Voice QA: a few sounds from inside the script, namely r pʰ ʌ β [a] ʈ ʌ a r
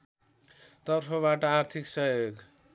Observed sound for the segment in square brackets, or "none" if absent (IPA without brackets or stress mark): a